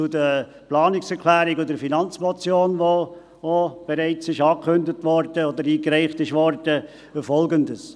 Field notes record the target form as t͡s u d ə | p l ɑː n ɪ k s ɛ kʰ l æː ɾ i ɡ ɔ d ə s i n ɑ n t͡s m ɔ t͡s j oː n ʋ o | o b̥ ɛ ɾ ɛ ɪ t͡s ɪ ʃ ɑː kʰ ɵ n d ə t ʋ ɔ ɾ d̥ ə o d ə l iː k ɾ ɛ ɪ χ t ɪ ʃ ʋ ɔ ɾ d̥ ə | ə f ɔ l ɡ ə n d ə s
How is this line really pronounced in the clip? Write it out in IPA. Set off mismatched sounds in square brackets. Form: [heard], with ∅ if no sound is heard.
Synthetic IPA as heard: t͡s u d ə | p l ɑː n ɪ k s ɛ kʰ l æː ɾ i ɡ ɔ d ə [f] i n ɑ n t͡s m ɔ t͡s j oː n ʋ o | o b̥ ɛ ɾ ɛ ɪ t͡s ɪ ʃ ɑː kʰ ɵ n d ə t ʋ ɔ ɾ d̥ ə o d ə [ɾ] iː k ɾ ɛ ɪ χ t ɪ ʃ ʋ ɔ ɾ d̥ ə | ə f ɔ l ɡ ə n d ə s